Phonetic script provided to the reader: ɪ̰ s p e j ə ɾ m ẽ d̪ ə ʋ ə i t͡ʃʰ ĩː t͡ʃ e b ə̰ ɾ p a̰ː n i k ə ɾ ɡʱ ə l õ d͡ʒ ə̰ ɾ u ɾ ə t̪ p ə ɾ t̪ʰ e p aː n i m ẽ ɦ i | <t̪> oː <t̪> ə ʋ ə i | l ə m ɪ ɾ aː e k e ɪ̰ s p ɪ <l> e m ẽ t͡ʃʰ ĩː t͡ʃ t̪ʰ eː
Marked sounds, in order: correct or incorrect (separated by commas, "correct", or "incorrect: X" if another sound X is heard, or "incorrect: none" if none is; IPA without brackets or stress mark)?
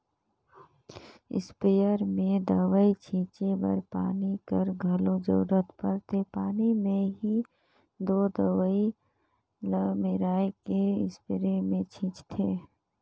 incorrect: d̪, incorrect: d̪, incorrect: ɾ